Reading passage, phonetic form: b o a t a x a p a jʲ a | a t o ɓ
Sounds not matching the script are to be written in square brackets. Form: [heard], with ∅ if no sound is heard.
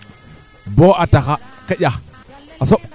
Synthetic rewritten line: b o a t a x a [k] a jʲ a | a [s] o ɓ